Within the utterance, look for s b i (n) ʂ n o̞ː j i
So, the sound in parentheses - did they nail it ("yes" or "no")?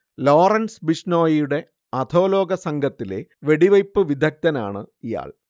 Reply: no